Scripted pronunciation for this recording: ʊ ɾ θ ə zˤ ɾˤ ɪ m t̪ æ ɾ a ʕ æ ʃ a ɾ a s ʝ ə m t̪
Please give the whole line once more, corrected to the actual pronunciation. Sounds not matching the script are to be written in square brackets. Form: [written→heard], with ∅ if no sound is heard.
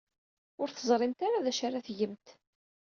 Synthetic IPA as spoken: ʊ ɾ θ ə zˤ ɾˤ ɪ m t̪ [æ→a] ɾ a [ʕ→ð] æ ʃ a ɾ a [s→θ] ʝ ə m t̪